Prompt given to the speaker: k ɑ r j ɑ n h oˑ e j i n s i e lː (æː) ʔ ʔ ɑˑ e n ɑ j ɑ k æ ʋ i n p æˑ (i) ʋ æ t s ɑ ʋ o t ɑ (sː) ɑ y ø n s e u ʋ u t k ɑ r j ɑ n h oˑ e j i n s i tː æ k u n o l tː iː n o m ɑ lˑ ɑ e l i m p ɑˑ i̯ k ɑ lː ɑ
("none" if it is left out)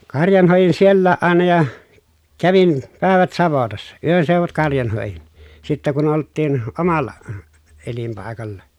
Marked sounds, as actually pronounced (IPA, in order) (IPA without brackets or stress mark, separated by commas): æː, e, sː